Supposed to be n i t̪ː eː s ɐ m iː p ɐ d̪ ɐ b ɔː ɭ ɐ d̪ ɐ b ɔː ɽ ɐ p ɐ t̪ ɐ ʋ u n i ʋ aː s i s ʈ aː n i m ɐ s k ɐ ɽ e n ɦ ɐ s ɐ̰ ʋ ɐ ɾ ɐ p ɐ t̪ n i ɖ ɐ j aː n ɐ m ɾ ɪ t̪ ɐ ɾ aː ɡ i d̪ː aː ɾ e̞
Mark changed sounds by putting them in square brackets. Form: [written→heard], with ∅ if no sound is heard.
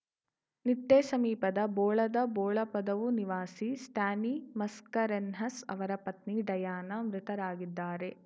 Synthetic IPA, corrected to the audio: n i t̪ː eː s ɐ m iː p ɐ d̪ ɐ b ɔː ɭ ɐ d̪ ɐ b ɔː [ɽ→ɭ] ɐ p ɐ [t̪→d̪] ɐ ʋ u n i ʋ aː s i s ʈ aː n i m ɐ s k ɐ [ɽ→ɾ] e n ɦ ɐ s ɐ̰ ʋ ɐ ɾ ɐ p ɐ t̪ n i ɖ ɐ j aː n ɐ m ɾ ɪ t̪ ɐ ɾ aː ɡ i d̪ː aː ɾ e̞